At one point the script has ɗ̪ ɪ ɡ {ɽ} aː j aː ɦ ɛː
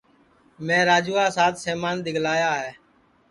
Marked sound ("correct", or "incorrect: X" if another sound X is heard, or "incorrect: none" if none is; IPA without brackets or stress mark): incorrect: l